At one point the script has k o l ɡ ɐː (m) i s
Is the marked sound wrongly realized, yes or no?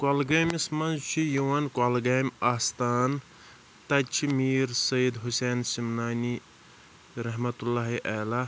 no